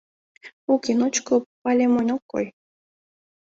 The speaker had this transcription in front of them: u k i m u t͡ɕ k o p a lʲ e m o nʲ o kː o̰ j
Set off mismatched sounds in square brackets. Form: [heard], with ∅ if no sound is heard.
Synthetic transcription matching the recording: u k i [n] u t͡ɕ k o p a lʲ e m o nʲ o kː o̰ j